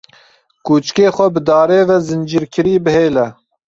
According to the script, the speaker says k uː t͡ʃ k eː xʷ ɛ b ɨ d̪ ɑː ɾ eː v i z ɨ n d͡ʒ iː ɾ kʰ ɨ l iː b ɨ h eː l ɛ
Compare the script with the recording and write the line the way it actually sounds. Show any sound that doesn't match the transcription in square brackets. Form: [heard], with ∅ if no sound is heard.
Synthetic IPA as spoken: k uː t͡ʃ k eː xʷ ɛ b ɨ d̪ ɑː ɾ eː v [ɛ] z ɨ n d͡ʒ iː ɾ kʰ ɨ [ɾ] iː b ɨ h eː l ɛ

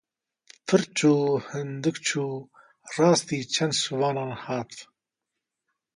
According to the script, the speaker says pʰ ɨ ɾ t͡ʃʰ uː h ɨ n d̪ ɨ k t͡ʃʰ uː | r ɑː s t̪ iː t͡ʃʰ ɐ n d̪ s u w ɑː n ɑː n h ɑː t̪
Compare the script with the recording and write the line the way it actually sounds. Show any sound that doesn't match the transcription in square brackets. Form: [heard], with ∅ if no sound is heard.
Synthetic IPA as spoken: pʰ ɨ ɾ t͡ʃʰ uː h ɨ n d̪ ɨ k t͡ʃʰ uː | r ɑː s t̪ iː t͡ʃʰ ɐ n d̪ s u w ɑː n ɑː n h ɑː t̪

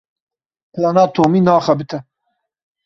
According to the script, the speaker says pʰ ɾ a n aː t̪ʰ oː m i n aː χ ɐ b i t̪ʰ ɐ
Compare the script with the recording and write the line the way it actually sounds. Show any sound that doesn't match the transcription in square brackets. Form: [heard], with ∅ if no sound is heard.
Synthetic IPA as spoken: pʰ [l] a n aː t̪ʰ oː m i n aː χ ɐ b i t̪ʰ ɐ

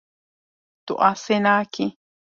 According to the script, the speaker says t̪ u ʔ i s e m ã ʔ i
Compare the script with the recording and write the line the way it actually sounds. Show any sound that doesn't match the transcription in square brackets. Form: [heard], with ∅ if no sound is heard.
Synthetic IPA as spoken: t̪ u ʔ [a] s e [n] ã [k] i

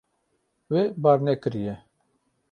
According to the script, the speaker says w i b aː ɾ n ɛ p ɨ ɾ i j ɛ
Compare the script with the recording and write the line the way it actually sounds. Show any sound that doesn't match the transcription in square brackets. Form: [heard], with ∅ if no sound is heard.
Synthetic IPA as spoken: w [e] b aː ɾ n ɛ [k] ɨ ɾ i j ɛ

